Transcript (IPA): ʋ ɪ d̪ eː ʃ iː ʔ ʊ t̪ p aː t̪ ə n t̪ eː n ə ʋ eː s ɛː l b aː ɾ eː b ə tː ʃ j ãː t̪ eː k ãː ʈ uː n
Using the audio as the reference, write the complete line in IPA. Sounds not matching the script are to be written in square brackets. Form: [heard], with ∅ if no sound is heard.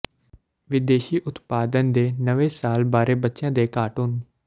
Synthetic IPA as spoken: ʋ ɪ d̪ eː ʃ iː ʔ ʊ t̪ p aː [d̪] ə n [d̪] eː n ə ʋ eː s [aː] l b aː ɾ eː b ə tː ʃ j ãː [d̪] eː k [aː] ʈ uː n

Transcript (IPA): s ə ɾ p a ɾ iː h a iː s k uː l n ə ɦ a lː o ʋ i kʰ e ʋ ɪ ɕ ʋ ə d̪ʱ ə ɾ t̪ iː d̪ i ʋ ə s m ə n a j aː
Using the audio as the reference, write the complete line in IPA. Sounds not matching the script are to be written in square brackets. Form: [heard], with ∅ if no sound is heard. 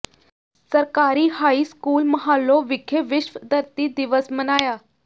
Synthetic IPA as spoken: s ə ɾ [k] a ɾ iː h a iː s k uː l [m] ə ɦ a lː o ʋ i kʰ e ʋ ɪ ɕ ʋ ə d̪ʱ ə ɾ t̪ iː d̪ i ʋ ə s m ə n a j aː

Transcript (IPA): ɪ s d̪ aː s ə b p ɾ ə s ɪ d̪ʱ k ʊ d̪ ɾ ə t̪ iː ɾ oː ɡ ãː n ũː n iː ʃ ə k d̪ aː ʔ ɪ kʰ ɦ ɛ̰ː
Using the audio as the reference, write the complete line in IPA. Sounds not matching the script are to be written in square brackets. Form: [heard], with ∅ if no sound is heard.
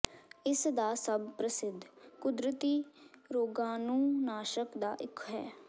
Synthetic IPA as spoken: ɪ s d̪ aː s ə b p ɾ ə s ɪ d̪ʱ k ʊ d̪ ɾ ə t̪ iː ɾ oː ɡ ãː n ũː n [aː] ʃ ə k d̪ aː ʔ ɪ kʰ ɦ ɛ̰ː

